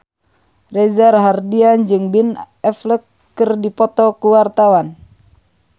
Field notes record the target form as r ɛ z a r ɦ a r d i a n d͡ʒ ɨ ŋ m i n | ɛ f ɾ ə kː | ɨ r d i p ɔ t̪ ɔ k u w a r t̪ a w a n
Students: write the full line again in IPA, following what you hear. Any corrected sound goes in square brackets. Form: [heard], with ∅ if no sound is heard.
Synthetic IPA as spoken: r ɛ z a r ɦ a r d i a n d͡ʒ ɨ ŋ [b] i n | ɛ f [l] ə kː | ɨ r d i p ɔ t̪ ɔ k u w a r t̪ a w a n